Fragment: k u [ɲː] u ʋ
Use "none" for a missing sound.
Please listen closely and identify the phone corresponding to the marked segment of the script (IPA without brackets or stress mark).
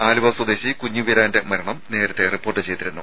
ɲː